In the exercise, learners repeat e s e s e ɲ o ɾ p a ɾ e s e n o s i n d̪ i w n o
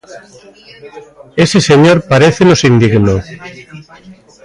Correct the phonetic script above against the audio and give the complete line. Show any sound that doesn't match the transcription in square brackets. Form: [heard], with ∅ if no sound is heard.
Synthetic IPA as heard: e s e s e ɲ o ɾ p a ɾ e [θ] e n o s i n d̪ i [ɣ] n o